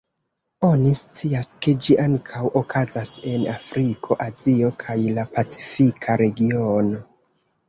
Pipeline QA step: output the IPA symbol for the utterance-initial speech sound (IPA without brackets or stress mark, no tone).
o̞